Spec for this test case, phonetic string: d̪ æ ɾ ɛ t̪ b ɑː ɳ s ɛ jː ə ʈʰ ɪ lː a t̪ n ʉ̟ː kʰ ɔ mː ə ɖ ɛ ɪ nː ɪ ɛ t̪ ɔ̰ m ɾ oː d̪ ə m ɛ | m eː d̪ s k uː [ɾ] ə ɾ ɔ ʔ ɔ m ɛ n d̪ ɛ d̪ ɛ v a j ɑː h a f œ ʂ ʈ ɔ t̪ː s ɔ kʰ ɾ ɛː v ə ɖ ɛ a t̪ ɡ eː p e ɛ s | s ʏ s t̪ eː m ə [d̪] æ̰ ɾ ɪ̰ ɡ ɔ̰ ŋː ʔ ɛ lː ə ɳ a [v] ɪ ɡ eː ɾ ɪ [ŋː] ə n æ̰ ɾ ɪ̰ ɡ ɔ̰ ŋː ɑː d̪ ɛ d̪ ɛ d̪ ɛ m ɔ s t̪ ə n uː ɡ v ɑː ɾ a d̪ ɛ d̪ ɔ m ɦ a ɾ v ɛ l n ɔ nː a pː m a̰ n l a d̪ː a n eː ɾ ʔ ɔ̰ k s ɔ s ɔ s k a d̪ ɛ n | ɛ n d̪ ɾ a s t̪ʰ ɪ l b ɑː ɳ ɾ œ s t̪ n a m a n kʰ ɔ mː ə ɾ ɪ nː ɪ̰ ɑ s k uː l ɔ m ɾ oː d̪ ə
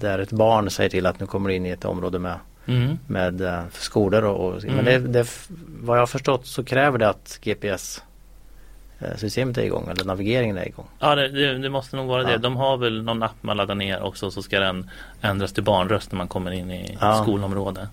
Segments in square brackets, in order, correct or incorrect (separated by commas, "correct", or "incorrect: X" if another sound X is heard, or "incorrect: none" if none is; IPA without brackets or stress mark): incorrect: l, incorrect: t̪, correct, incorrect: ŋ